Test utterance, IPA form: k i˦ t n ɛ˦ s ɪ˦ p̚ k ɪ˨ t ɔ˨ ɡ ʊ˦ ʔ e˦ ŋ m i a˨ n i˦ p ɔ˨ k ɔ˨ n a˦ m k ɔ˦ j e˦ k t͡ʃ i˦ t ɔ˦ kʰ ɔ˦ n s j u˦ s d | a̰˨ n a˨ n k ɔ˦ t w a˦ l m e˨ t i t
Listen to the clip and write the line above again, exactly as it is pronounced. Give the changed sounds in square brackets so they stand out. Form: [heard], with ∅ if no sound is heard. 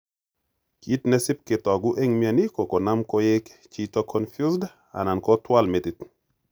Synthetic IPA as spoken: k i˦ t n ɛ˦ s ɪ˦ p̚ k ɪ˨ t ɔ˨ ɡ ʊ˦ ʔ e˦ ŋ m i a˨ n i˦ [k] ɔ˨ k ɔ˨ n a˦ m k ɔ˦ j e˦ k t͡ʃ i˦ t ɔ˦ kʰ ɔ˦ n [f] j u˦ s d | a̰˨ n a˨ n k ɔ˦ t w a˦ l m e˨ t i t